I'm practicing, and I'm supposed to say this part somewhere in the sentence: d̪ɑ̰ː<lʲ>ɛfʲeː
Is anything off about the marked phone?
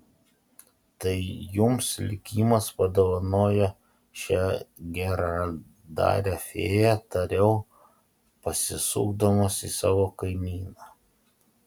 yes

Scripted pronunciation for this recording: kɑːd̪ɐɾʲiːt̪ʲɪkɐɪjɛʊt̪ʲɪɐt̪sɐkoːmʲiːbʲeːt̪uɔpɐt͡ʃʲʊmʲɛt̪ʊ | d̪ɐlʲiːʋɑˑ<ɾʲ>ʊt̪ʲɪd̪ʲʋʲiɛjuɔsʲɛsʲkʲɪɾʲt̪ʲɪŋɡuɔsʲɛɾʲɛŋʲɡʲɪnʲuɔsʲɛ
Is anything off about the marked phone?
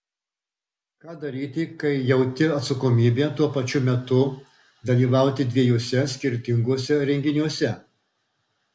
yes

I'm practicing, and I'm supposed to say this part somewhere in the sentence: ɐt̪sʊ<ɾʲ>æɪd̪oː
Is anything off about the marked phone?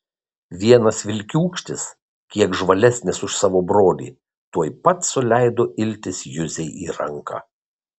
yes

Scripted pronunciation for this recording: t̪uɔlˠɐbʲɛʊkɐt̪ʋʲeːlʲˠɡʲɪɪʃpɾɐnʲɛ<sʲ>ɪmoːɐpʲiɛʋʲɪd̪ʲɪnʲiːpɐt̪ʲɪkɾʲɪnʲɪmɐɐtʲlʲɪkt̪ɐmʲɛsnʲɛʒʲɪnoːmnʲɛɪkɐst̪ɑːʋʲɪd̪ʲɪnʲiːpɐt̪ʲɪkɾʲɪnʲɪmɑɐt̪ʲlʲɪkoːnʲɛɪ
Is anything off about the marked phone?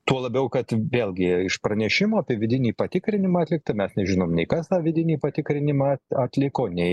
yes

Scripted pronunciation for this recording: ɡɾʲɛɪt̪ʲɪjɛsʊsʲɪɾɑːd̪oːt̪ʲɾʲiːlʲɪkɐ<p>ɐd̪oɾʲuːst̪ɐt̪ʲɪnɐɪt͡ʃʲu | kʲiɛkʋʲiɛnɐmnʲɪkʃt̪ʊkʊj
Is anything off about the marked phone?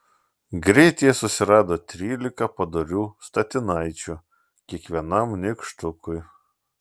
no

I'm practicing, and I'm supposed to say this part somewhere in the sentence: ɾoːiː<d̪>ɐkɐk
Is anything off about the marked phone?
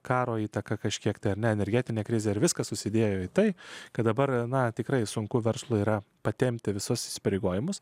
yes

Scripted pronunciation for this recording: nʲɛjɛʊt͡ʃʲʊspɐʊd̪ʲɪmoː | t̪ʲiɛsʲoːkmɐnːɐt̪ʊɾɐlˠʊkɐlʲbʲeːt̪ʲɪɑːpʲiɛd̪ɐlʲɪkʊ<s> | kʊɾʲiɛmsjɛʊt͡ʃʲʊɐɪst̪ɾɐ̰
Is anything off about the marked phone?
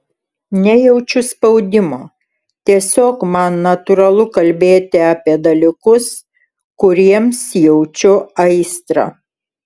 no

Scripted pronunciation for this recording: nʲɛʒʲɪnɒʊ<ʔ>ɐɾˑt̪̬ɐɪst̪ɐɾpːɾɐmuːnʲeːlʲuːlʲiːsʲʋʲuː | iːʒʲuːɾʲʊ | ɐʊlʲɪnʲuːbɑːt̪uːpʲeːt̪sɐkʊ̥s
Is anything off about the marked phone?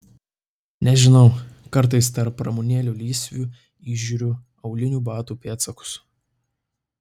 yes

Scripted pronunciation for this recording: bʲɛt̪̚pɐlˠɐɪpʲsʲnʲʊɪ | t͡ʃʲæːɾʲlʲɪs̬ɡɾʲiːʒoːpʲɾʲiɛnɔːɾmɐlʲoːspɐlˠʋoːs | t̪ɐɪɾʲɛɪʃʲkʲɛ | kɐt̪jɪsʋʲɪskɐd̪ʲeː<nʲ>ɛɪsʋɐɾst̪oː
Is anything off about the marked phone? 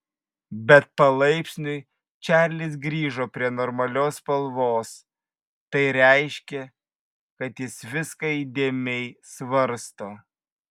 yes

